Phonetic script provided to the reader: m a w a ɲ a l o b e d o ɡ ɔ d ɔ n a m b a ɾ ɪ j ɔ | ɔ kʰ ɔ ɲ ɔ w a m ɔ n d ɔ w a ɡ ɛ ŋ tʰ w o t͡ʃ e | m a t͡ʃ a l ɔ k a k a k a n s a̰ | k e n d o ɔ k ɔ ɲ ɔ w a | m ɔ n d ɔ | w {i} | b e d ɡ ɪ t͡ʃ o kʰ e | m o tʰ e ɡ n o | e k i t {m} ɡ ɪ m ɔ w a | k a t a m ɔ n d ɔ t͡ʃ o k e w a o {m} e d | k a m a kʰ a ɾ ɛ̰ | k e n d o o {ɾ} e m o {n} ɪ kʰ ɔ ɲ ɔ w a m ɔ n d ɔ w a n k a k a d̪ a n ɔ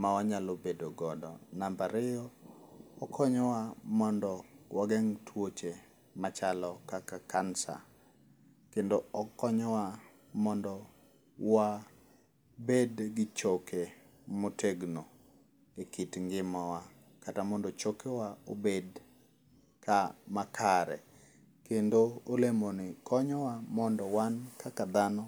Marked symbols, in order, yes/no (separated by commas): no, no, no, no, yes